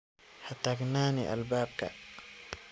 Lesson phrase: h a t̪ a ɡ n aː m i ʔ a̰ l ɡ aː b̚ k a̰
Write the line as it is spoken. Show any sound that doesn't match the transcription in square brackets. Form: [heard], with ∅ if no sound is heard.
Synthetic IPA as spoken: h a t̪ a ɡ n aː [n] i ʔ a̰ l [b] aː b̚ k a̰

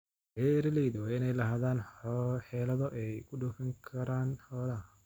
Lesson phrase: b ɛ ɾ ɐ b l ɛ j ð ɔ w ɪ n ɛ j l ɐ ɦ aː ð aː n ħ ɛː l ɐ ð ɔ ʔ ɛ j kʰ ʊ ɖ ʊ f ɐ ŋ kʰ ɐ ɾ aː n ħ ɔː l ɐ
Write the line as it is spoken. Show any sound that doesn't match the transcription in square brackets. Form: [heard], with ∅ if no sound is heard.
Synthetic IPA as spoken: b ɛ ɾ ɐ [∅] l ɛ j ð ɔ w ɪ n ɛ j l ɐ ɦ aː ð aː n ħ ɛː l ɐ ð ɔ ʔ ɛ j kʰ ʊ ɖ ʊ f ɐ ŋ kʰ ɐ ɾ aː n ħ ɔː l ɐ

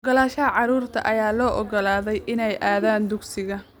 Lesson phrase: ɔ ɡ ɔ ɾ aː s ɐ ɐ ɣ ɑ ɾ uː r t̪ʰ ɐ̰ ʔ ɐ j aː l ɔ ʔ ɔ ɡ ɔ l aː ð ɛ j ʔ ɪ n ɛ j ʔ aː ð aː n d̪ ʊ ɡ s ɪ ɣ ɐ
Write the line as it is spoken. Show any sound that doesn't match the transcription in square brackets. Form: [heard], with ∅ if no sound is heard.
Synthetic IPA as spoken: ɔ ɡ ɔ [l] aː [ʃ] ɐ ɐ [ʕ] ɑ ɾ uː r t̪ʰ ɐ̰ ʔ ɐ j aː l [ɔː] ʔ ɔ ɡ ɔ l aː ð ɛ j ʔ ɪ n ɛ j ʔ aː ð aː n d̪ ʊ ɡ s ɪ ɣ ɐ

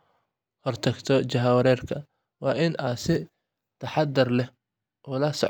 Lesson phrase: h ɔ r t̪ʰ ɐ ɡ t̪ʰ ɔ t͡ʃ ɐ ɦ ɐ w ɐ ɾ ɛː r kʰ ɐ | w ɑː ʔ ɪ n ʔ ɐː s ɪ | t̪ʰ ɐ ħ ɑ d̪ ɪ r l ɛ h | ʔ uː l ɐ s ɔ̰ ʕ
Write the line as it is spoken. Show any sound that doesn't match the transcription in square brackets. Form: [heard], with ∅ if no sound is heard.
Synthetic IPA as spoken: h ɔ r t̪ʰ ɐ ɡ t̪ʰ ɔ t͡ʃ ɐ ɦ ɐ w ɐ ɾ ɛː r kʰ ɐ | w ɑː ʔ ɪ n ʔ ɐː s ɪ | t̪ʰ ɐ ħ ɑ d̪ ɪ r l ɛ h | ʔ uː l ɐ s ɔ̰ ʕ

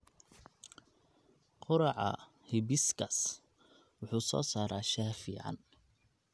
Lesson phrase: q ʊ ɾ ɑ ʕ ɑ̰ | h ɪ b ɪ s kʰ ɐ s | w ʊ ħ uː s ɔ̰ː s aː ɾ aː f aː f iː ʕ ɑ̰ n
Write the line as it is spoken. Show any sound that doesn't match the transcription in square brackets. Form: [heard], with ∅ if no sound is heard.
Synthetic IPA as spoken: q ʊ ɾ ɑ ʕ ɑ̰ | h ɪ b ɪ s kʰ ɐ s | w ʊ ħ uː s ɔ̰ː s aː ɾ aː [ʃ] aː f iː ʕ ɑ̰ n

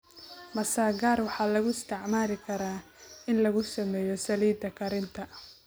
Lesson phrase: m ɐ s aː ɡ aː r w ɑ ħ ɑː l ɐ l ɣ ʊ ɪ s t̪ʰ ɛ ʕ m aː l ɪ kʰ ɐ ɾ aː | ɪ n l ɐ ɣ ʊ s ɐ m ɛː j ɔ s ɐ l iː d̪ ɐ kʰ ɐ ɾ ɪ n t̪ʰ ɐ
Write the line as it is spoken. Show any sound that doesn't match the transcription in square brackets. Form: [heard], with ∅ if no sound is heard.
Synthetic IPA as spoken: m ɐ s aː ɡ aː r w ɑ ħ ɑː l ɐ [∅] ɣ ʊ ɪ s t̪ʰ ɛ ʕ m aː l ɪ kʰ ɐ ɾ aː | ɪ n l ɐ ɣ ʊ s ɐ m ɛː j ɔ s ɐ l iː d̪ ɐ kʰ ɐ ɾ ɪ n t̪ʰ ɐ

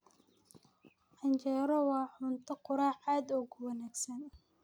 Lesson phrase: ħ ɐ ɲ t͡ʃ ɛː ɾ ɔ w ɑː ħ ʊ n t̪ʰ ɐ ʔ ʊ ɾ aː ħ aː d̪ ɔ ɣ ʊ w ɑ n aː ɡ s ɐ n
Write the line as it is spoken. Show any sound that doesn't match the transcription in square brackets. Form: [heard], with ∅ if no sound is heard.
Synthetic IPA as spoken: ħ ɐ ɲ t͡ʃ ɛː ɾ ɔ w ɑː ħ ʊ n t̪ʰ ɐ [q] ʊ ɾ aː ħ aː d̪ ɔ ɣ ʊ w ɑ n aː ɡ s ɐ n

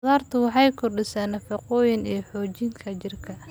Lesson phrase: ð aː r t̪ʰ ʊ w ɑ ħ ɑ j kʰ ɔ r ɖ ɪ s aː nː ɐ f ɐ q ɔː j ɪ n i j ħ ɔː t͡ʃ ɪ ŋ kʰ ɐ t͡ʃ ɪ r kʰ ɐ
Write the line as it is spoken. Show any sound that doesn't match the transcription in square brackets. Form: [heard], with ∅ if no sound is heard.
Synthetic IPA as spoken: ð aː r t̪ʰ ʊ w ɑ ħ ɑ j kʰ ɔ r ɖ ɪ s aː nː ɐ f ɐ q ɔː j ɪ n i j ħ ɔː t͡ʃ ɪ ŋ kʰ ɐ t͡ʃ ɪ r kʰ ɐ

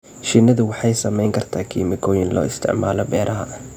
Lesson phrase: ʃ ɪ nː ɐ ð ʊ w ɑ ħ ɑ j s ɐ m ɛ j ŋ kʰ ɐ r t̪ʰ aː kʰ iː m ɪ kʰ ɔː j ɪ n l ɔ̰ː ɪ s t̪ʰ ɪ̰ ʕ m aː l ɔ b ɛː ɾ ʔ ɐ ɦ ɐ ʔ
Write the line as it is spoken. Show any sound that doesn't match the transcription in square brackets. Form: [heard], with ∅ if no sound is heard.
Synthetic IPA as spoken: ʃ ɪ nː ɐ ð ʊ w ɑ ħ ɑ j s ɐ m ɛ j ŋ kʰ ɐ r t̪ʰ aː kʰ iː m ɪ kʰ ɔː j ɪ n l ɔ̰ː ɪ s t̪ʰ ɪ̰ ʕ m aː l ɔ b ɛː ɾ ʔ ɐ ɦ ɐ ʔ

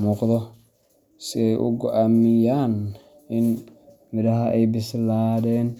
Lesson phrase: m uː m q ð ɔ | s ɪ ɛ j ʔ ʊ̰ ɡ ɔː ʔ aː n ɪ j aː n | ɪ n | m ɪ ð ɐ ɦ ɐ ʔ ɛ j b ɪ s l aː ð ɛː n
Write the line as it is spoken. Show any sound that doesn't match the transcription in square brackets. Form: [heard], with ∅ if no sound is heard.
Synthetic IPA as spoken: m uː [∅] q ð ɔ | s ɪ ɛ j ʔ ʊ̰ ɡ [ɔ] ʔ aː [m] ɪ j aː n | ɪ n | m ɪ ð ɐ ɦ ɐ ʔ ɛ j b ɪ s l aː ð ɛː n

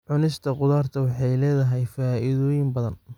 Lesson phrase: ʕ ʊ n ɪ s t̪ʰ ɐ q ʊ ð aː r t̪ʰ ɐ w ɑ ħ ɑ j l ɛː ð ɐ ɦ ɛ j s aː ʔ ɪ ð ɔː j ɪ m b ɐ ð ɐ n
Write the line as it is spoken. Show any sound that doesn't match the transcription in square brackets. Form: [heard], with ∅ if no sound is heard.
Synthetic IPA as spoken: ʕ ʊ n ɪ s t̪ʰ ɐ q ʊ ð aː r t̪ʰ ɐ w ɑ ħ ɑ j l ɛː ð ɐ ɦ ɛ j [f] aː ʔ ɪ ð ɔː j ɪ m b ɐ ð ɐ n

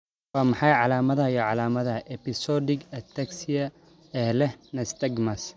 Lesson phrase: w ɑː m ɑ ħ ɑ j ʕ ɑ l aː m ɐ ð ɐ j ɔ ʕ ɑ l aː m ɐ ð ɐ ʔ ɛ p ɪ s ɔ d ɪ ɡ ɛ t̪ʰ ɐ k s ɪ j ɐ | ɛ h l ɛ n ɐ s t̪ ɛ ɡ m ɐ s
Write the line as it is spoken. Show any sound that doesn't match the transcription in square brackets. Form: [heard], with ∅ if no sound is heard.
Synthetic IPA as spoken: w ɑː m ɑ ħ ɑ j ʕ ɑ l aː m ɐ ð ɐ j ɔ ʕ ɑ l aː m ɐ ð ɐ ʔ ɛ p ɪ s ɔ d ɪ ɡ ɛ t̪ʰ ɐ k s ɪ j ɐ | ɛ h l ɛ n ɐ s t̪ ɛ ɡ m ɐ s

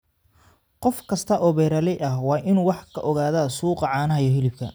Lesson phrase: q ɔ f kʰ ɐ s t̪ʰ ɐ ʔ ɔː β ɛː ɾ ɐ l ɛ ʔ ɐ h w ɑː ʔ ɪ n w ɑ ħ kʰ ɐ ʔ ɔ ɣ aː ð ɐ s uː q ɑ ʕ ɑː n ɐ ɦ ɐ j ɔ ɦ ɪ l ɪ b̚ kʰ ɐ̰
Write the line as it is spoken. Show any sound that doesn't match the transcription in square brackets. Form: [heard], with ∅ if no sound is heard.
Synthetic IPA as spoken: q ɔ f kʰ ɐ s t̪ʰ ɐ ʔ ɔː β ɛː ɾ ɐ l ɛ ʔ ɐ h w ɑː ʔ ɪ n w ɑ ħ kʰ ɐ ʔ ɔ ɣ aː ð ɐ s uː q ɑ ʕ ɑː n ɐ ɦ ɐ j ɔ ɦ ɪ l ɪ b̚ kʰ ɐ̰

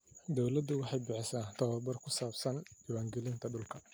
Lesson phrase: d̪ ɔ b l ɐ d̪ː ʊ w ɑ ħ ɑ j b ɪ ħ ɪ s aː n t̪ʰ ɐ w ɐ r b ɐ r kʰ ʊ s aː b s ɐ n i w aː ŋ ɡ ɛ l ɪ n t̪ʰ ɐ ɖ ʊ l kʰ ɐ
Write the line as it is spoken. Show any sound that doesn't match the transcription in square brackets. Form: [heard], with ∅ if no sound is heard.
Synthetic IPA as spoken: d̪ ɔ [w] l ɐ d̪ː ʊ w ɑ ħ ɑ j b ɪ ħ ɪ s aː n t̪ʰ ɐ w ɐ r b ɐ r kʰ ʊ s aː b s ɐ n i w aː ŋ ɡ ɛ l ɪ n t̪ʰ ɐ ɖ ʊ l kʰ ɐ

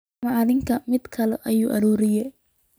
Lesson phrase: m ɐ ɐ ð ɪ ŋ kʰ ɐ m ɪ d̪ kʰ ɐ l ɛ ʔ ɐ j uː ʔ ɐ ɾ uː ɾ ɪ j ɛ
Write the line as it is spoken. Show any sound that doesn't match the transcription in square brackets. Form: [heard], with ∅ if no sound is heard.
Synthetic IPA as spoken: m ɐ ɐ ð ɪ ŋ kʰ ɐ m ɪ d̪ kʰ ɐ l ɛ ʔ ɐ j uː ʔ ɐ ɾ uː ɾ ɪ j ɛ

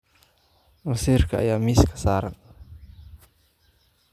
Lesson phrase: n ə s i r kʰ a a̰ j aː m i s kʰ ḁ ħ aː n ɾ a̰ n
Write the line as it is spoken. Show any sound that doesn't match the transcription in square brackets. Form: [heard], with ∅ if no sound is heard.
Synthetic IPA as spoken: [m] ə s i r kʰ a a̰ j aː m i s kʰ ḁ [s] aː [∅] ɾ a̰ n

